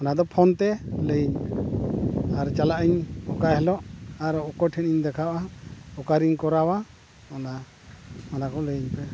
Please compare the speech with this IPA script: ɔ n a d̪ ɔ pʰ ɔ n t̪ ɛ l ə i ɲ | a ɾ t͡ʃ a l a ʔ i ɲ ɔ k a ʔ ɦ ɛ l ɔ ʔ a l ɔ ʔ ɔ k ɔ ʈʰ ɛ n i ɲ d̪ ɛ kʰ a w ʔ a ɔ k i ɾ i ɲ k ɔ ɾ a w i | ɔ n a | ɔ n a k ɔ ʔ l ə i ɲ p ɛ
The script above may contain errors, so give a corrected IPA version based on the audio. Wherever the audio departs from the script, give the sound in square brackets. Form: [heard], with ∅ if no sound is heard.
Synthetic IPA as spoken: ɔ n a d̪ ɔ pʰ ɔ n t̪ ɛ l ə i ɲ | a ɾ t͡ʃ a l a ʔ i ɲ ɔ k a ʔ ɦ ɛ l ɔ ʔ a [ɾ] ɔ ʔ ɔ k ɔ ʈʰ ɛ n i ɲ d̪ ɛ kʰ a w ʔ a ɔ k [a] ɾ i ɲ k ɔ ɾ a w [a] | ɔ n a | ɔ n a k ɔ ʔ l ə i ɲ p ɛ